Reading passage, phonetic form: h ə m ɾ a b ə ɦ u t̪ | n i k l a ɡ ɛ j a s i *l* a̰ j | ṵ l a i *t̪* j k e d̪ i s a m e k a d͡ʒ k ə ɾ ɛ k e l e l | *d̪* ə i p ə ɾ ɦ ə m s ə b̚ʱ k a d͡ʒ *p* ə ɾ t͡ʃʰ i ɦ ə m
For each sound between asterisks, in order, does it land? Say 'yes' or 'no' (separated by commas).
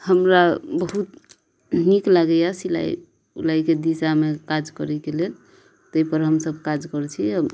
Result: yes, no, no, no